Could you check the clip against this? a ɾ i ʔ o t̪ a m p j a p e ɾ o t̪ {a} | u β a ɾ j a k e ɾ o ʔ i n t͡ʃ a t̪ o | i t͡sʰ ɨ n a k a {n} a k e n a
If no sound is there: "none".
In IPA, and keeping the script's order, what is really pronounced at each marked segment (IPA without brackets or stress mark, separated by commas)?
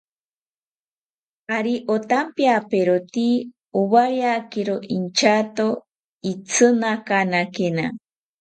i, n